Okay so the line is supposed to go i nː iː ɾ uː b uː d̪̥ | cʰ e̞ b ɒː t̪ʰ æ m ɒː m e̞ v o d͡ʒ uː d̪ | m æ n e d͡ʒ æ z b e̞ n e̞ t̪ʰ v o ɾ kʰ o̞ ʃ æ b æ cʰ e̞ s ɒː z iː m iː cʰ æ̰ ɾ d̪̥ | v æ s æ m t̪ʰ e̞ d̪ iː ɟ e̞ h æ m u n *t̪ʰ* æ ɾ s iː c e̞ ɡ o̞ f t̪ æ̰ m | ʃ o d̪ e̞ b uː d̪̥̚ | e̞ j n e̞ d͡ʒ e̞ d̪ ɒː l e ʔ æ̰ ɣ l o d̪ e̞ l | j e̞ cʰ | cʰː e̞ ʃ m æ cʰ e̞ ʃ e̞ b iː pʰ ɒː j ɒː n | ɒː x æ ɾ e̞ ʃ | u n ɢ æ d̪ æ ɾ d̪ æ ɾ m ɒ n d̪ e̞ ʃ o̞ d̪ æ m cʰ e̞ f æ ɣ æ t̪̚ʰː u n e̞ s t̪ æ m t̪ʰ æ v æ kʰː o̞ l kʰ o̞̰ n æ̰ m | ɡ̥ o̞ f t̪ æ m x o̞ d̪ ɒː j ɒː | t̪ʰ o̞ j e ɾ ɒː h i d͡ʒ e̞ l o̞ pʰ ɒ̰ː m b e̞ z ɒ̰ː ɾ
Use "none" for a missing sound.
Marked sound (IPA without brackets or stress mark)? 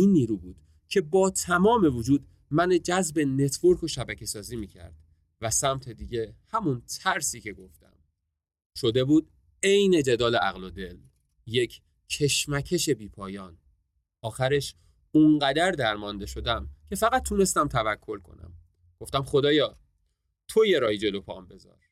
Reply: t̪ʰ